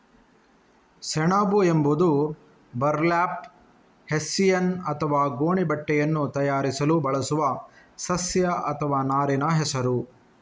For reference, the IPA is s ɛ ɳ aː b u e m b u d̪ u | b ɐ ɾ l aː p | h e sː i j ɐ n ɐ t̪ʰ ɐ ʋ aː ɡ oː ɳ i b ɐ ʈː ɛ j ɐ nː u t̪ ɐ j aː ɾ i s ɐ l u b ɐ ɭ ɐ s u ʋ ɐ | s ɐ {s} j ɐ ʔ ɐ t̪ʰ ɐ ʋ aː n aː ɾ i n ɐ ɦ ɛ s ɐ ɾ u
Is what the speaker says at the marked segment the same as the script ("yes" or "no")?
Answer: yes